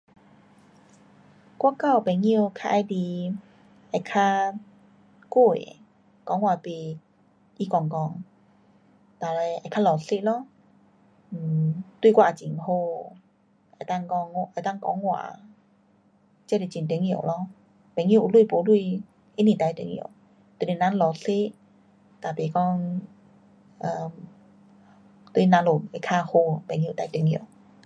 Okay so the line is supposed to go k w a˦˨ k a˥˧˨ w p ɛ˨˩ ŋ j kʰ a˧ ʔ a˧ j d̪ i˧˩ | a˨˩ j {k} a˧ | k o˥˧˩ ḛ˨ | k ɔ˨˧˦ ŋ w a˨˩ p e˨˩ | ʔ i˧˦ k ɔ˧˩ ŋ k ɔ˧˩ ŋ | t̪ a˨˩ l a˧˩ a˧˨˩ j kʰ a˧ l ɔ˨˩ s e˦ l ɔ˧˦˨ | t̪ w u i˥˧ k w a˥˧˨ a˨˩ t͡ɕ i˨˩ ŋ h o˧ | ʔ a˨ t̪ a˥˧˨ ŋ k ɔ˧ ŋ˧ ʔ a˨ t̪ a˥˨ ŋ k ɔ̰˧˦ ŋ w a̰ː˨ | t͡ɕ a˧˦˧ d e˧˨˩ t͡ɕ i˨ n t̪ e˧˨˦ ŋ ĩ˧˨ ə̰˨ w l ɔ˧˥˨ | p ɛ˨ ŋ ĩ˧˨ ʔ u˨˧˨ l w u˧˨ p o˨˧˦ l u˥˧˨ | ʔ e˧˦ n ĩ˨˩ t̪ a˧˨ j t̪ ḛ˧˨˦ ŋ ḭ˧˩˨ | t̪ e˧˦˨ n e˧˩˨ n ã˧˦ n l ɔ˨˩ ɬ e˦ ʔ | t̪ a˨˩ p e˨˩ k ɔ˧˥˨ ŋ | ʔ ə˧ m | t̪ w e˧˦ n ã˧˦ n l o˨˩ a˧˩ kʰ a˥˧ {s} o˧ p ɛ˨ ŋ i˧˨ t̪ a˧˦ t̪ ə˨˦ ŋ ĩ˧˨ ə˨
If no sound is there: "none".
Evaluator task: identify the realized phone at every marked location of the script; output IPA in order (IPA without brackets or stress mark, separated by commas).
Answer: kʰ, h